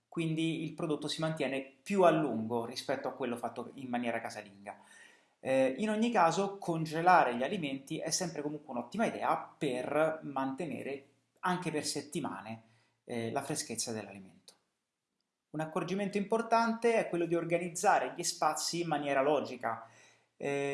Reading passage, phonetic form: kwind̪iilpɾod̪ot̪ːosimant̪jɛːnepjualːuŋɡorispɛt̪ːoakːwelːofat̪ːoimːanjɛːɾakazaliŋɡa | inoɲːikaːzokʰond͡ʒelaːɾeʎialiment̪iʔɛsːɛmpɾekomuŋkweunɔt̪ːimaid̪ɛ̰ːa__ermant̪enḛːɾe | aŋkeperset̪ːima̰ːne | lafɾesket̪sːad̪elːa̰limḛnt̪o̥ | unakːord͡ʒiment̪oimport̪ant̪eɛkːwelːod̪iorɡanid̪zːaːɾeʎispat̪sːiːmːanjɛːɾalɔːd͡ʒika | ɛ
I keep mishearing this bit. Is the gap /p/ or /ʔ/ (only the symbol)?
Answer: p